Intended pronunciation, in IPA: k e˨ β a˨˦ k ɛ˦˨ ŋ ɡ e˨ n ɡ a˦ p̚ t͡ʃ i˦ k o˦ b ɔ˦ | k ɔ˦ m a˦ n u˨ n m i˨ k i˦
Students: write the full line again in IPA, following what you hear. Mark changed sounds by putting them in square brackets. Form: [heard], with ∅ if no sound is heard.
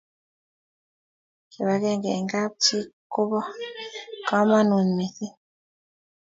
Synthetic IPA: k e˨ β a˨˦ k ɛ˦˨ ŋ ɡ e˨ [ŋ] ɡ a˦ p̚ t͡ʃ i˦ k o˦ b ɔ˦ | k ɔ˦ m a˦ n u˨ n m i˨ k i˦